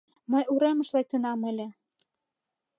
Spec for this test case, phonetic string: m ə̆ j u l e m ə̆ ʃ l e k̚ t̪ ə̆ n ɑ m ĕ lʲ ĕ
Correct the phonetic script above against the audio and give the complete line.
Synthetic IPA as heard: m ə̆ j u ɾ e m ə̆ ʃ l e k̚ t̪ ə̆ n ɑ m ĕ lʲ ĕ